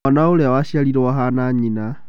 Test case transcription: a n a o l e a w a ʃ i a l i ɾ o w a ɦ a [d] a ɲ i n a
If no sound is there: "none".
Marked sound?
n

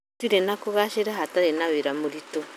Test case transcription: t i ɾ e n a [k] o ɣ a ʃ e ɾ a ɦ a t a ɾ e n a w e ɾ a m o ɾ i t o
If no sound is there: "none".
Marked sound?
k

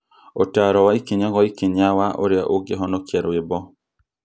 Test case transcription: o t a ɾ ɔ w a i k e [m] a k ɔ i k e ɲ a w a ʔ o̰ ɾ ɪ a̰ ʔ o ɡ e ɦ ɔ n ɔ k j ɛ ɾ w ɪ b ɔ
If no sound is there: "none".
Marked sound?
ɲ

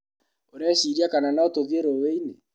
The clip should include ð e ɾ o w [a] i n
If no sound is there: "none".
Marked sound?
e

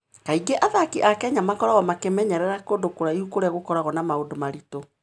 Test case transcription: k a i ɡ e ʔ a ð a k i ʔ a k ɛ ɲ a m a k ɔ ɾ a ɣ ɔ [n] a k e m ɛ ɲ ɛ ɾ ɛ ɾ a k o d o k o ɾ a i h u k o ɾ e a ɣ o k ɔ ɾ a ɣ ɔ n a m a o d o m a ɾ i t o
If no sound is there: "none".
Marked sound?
m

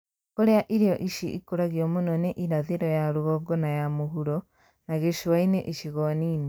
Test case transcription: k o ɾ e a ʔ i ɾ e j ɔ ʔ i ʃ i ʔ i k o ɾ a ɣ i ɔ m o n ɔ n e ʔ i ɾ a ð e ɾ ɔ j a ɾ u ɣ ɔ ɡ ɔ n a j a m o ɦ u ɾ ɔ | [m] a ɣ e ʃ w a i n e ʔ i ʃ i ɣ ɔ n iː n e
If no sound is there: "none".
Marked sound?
n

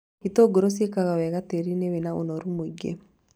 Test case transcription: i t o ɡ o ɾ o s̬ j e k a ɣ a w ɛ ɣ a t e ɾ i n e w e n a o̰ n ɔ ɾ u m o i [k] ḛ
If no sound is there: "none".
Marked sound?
ɡ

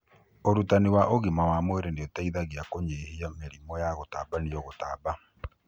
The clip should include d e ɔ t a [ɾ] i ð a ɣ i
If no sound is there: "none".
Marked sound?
none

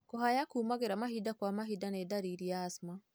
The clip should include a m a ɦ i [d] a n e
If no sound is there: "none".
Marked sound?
d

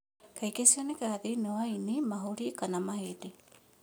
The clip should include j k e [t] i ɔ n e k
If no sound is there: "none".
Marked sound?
s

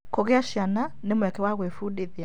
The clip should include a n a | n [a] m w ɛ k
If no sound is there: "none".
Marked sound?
e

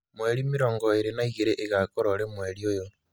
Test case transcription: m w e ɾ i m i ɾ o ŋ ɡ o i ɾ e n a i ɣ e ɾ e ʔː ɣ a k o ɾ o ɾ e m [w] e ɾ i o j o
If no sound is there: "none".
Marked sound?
w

